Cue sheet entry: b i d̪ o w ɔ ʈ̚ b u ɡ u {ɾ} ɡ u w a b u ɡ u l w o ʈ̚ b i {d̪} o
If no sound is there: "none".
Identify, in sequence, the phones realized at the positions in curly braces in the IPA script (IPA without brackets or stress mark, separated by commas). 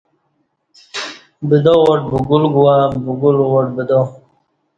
l, d̪